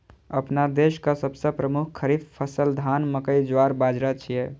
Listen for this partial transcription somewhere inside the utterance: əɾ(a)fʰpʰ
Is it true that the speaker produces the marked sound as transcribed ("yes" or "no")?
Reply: no